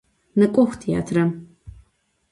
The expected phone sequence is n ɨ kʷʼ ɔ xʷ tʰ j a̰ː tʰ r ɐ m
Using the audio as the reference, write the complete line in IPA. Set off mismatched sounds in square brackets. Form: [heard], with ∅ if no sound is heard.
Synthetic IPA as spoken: n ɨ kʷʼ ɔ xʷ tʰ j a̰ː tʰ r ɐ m